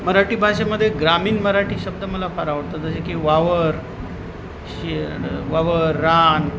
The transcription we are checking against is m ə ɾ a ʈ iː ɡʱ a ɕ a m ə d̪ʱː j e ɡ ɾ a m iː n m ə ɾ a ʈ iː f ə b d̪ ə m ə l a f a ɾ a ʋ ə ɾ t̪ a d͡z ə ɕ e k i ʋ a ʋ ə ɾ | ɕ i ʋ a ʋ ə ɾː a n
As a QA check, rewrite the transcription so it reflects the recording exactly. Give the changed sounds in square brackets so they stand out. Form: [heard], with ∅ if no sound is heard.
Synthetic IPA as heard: m ə ɾ a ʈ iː [bʱ] a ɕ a m ə d̪ʱː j e ɡ ɾ a m iː n m ə ɾ a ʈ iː [ɕ] ə b d̪ ə m ə l a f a ɾ a ʋ ə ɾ t̪ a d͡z ə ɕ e k i ʋ a ʋ ə ɾ | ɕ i ʋ a ʋ ə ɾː a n